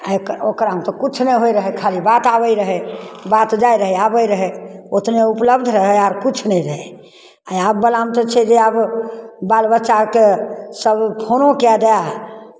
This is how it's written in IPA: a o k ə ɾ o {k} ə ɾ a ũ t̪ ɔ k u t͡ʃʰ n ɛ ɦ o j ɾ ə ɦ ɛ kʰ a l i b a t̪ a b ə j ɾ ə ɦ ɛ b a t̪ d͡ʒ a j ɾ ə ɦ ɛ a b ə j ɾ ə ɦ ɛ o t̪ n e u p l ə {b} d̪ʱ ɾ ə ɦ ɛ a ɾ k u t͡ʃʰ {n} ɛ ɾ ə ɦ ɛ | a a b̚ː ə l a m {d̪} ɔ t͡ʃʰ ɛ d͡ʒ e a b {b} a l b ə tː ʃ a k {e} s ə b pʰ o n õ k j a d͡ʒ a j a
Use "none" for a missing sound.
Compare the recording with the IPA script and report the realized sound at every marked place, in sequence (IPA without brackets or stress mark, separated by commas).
k, b, n, t̪, b, e